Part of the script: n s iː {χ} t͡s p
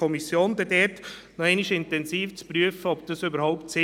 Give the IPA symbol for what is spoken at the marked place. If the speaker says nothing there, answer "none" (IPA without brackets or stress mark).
f